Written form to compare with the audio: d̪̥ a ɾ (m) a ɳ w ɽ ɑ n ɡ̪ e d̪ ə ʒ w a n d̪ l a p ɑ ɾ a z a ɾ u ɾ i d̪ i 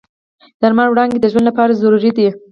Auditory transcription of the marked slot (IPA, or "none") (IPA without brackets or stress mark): m